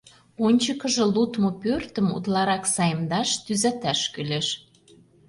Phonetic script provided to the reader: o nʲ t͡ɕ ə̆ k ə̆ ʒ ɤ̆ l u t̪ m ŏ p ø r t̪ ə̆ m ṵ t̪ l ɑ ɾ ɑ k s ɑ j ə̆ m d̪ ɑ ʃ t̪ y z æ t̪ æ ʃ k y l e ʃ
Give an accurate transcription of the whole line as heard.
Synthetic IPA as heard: o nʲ t͡ɕ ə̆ k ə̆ ʒ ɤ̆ l u t̪ m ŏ p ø r t̪ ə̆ m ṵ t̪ l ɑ ɾ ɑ k s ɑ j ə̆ m d̪ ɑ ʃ t̪ y z æ t̪ æ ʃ k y l e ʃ